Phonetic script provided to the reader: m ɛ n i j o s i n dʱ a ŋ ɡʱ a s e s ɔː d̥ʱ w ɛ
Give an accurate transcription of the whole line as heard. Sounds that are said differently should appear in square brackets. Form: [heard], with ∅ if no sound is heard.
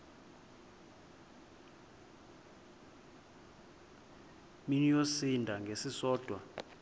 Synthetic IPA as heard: m [i] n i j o s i n dʱ a ŋ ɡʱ [e] s [i] s ɔː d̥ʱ w [a]